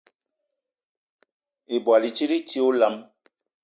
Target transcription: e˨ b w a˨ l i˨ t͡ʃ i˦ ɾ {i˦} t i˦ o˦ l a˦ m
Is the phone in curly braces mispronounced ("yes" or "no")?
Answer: no